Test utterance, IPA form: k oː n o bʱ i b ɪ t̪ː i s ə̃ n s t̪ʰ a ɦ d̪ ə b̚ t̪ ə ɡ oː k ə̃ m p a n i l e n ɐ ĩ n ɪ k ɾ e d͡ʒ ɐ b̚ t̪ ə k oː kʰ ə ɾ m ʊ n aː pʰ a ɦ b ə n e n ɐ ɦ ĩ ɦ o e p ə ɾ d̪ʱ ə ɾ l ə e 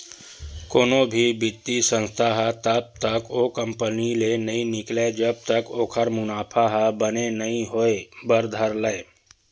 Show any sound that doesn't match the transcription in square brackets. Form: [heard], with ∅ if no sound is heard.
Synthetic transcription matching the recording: k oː n o bʱ i b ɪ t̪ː i s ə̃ n s t̪ʰ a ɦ [t̪] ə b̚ t̪ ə [k] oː k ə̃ m p [ə] n i l e n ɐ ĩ n ɪ k [l] e d͡ʒ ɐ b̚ t̪ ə k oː kʰ ə ɾ m ʊ n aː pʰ a ɦ b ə n e n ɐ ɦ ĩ ɦ o e [b] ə ɾ d̪ʱ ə ɾ l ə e